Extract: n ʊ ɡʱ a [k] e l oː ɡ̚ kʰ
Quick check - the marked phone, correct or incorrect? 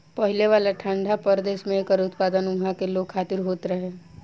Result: correct